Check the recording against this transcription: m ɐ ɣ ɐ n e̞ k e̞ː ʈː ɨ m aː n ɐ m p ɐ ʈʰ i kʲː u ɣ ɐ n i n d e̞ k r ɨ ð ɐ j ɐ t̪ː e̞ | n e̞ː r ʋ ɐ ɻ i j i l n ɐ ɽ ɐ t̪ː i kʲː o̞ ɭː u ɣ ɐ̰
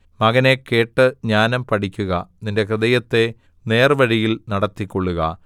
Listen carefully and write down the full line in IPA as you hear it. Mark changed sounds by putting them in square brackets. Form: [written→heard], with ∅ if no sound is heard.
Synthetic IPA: m ɐ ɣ ɐ n e̞ k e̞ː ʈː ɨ [m→ɲ] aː n ɐ m p ɐ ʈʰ i kʲː u ɣ ɐ n i n d e̞ k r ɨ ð ɐ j ɐ t̪ː e̞ | n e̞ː r ʋ ɐ ɻ i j i l n ɐ ɽ ɐ t̪ː i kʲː o̞ ɭː u ɣ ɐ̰